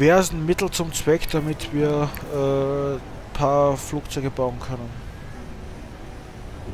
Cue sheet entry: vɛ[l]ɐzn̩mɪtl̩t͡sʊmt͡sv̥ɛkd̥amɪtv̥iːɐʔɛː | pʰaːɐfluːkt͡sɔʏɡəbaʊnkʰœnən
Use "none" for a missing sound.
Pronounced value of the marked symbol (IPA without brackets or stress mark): none